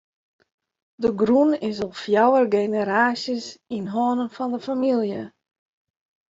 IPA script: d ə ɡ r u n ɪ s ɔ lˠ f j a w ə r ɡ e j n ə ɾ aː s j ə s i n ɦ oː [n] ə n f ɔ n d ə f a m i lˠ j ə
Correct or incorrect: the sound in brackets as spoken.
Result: correct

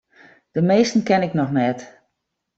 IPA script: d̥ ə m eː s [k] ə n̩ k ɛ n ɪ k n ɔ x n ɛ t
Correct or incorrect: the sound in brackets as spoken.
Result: incorrect: t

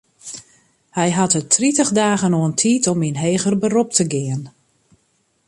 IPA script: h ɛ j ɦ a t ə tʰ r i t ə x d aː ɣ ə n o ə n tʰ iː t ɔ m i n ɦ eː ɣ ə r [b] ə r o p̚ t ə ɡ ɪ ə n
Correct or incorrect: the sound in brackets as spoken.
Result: correct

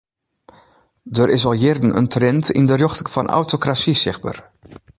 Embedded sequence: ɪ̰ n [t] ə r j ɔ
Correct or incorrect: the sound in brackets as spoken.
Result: incorrect: d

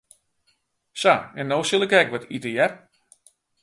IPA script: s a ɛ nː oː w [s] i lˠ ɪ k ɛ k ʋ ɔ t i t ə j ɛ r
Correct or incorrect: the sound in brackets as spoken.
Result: correct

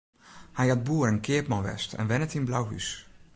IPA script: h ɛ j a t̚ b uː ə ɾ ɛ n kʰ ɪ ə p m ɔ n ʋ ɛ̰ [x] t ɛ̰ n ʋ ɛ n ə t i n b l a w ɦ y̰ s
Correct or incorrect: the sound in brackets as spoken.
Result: incorrect: s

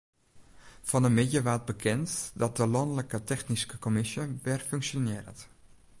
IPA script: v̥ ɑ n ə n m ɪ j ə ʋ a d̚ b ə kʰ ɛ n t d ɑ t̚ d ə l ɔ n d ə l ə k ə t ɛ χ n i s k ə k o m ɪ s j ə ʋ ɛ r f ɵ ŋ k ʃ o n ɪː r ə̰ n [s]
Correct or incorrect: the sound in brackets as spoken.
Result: incorrect: t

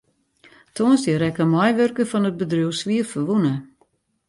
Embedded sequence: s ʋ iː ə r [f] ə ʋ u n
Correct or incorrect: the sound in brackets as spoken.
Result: correct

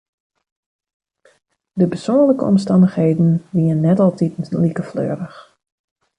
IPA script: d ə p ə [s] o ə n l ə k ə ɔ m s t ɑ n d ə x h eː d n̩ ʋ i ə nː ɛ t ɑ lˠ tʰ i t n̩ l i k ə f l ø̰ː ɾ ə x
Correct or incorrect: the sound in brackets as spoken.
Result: correct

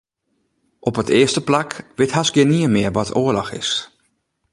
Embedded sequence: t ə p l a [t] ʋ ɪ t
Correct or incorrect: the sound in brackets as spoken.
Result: incorrect: k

